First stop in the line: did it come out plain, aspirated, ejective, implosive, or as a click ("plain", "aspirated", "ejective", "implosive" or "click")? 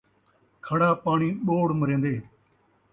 aspirated